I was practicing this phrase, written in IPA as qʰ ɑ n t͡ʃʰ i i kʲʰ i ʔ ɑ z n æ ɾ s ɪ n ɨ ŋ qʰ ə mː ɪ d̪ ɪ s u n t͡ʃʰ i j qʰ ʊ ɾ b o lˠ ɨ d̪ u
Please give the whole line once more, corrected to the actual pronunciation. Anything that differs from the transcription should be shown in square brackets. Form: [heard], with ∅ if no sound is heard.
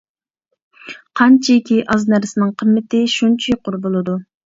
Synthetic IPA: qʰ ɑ n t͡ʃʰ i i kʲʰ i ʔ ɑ z n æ ɾ s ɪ n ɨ ŋ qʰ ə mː ɪ [t̪] ɪ [ʃ] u n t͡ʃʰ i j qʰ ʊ ɾ b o lˠ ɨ d̪ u